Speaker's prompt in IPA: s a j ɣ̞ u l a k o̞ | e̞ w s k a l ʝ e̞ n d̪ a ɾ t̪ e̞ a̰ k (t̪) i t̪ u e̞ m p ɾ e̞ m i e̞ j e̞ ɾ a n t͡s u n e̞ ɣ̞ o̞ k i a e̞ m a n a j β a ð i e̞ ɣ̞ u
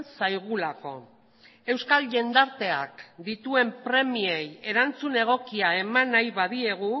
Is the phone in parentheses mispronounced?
yes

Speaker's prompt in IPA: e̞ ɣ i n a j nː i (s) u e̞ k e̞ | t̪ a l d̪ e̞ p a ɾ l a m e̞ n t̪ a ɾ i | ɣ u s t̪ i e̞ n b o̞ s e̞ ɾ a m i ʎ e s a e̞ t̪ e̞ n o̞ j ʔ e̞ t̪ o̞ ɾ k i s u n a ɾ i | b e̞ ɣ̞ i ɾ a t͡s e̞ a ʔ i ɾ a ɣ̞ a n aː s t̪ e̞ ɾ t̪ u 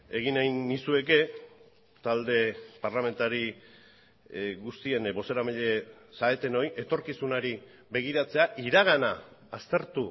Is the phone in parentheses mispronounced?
no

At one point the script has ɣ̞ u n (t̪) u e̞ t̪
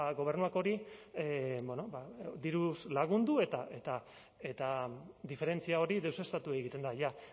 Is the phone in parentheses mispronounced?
yes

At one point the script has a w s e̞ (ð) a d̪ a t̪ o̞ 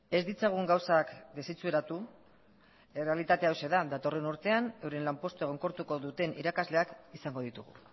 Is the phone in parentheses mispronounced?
no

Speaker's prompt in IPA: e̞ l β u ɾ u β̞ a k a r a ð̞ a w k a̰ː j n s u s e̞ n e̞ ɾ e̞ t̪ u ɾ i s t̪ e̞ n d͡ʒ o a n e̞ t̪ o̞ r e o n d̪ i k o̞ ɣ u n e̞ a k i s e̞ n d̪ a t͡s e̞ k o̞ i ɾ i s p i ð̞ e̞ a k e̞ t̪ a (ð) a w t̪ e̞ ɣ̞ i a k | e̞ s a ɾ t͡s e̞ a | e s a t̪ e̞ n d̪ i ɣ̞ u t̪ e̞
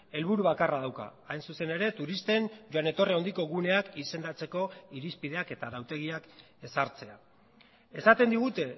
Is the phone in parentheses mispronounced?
no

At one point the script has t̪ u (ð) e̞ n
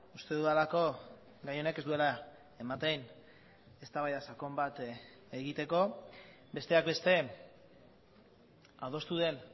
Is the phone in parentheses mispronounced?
no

